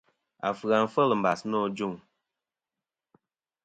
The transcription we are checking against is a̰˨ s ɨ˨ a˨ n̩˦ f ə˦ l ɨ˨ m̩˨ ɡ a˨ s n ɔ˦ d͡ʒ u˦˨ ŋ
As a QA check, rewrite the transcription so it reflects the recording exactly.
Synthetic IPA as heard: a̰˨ f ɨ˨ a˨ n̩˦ f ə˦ l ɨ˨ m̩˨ b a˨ s n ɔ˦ d͡ʒ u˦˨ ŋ